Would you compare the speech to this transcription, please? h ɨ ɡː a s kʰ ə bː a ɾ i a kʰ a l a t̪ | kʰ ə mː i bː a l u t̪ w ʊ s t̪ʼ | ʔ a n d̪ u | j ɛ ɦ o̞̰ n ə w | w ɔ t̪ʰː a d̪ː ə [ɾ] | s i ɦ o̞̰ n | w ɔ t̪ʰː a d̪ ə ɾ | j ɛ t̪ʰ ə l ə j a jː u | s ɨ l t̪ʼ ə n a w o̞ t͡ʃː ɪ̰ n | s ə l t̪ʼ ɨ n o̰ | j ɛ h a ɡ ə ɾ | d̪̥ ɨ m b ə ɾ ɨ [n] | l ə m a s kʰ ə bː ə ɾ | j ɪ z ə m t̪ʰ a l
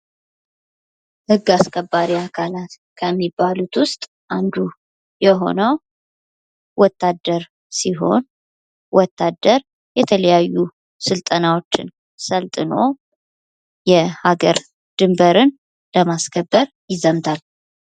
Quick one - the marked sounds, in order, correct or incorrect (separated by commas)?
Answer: correct, correct